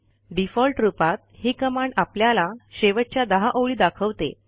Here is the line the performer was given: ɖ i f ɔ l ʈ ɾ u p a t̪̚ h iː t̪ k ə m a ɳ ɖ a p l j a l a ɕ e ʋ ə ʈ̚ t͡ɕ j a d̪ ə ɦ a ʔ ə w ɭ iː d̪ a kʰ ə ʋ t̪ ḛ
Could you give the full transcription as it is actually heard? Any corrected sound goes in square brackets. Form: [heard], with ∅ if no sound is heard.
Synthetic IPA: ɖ i f ɔ l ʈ ɾ u p a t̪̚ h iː [∅] k ə m a ɳ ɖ a p l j a l a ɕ e ʋ ə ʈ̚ t͡ɕ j a d̪ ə ɦ a ʔ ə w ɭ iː d̪ a kʰ ə ʋ t̪ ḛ